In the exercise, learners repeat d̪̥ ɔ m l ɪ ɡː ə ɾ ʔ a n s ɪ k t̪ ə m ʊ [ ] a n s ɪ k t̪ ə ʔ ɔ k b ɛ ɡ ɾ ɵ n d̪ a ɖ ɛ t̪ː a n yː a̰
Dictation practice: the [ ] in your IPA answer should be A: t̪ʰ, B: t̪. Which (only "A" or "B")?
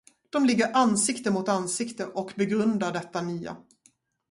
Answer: B